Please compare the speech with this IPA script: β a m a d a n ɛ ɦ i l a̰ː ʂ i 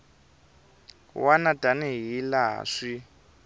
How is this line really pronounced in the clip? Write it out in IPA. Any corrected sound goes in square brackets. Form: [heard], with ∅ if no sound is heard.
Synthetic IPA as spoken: [w] a [n] a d a n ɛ ɦ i l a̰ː ʂ i